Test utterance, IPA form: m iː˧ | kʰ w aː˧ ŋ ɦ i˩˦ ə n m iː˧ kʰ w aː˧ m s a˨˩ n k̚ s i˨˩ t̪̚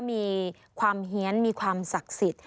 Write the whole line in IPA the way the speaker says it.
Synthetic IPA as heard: m iː˧ | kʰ w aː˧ m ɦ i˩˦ ə n m iː˧ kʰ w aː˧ m s a˨˩ k̚ s i˨˩ t̪̚